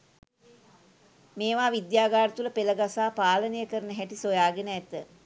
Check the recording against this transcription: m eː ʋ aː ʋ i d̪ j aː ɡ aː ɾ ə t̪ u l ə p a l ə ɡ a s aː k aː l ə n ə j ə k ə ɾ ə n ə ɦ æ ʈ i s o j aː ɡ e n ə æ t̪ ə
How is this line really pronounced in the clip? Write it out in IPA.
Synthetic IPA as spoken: m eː ʋ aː ʋ i d̪ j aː ɡ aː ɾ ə t̪ u l ə p e l ə ɡ a s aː p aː l ə n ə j ə k ə ɾ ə n ə ɦ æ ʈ i s o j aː ɡ e n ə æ t̪ ə

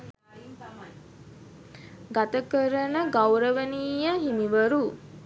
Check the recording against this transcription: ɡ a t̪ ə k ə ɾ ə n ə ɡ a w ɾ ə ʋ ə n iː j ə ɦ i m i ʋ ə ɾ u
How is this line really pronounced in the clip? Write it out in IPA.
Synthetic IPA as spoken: ɡ a t̪ ə k ə ɾ ə n ə ɡ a w ɾ ə ʋ ə n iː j ə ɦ i m i ʋ ə ɾ u

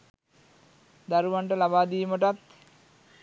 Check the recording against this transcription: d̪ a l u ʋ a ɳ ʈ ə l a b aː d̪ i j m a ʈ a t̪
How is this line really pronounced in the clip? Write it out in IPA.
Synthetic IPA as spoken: d̪ a ɾ u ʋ a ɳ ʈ ə l a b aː d̪ i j m ə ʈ a t̪

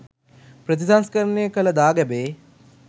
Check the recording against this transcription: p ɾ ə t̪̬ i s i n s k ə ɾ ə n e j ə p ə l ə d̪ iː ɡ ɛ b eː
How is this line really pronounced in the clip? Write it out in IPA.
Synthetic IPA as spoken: p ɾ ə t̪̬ i s a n s k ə ɾ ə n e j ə k ə l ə d̪ aː ɡ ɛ b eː

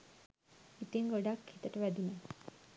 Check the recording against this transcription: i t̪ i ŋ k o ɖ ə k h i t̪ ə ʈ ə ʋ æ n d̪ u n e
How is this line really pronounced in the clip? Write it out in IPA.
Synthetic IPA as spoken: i t̪ i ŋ ɡ o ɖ a k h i t̪ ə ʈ ə ʋ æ d̪ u n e

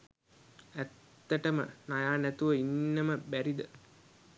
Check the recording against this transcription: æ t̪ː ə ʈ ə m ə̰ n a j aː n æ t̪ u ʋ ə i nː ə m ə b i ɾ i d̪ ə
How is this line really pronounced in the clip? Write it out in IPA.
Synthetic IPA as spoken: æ t̪ː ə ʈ ə m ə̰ n a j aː n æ t̪ u ʋ ə i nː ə m ə b æ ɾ i d̪ ə

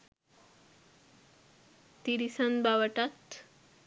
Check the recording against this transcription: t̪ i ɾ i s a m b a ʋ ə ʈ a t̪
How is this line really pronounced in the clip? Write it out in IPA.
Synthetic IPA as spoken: t̪ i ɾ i s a n b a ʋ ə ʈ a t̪

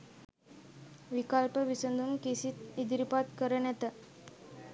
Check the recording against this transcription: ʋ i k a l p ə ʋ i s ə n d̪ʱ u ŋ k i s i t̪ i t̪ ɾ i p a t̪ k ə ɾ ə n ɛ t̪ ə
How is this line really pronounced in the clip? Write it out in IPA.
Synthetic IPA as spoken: ʋ i k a l p ə ʋ i s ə n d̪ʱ u m k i s i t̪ i d̪ ɾ i p a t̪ k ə ɾ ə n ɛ t̪ ə

